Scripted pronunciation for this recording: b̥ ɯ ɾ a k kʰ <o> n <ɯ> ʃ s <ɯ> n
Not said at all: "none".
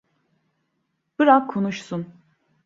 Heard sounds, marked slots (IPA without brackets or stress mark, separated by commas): o, u, u